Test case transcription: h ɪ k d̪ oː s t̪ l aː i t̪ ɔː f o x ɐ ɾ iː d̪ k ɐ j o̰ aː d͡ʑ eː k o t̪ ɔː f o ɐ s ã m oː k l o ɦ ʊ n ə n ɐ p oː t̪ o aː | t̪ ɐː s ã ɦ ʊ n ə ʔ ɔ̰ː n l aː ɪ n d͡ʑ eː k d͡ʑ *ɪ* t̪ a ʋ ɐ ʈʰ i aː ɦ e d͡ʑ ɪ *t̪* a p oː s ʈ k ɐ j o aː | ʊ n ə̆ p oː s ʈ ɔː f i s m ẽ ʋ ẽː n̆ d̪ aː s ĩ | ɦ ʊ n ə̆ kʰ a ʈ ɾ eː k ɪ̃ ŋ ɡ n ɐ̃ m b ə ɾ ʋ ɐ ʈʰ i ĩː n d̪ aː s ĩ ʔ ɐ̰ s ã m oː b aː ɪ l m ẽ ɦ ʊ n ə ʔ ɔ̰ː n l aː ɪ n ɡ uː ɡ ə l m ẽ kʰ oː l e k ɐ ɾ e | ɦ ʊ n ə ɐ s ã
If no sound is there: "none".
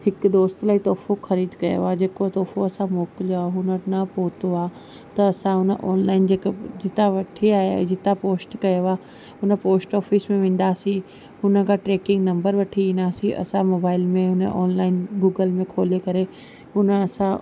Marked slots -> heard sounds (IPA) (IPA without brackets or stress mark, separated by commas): ɪ, t̪